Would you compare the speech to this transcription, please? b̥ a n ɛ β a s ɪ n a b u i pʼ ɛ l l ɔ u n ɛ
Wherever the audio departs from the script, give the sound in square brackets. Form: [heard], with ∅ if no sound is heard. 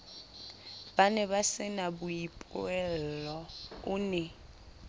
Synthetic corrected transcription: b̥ a n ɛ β a s ɪ n a b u i pʼ ɛ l l ɔ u n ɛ